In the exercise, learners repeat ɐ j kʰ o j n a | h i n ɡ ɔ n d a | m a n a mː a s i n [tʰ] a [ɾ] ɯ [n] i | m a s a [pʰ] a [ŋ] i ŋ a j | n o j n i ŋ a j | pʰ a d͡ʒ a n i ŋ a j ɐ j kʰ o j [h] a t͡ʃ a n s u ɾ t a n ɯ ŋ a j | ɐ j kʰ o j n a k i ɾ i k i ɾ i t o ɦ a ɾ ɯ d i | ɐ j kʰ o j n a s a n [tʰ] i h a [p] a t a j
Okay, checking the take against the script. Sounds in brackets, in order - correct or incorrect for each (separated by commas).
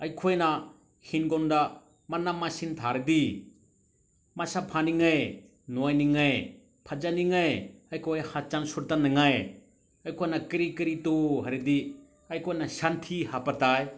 correct, correct, incorrect, correct, incorrect, correct, correct, correct